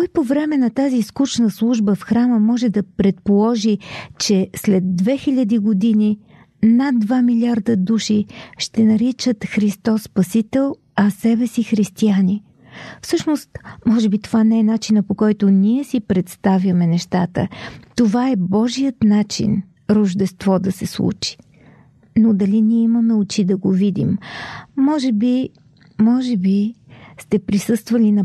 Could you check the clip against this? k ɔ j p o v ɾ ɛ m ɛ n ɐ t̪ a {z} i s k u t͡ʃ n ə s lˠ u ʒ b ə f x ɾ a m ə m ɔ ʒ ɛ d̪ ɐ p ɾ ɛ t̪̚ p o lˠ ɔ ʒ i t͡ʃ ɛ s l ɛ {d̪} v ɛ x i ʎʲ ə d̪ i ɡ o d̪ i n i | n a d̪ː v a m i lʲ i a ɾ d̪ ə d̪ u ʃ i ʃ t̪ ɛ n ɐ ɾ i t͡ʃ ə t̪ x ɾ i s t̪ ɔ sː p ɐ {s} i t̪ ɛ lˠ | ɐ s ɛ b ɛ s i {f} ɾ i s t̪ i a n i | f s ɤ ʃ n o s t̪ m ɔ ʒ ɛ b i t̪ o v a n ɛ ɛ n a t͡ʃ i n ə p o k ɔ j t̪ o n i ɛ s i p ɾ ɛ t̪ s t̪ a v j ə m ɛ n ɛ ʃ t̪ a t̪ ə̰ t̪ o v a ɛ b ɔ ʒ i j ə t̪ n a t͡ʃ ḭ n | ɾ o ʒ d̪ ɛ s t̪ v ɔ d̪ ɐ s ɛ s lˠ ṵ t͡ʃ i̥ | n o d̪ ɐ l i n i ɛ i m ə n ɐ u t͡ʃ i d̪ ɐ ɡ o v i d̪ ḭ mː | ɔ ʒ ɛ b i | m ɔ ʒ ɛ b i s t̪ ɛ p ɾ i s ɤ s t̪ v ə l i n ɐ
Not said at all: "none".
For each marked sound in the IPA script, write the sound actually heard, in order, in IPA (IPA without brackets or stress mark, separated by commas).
z, d̪ː, s, x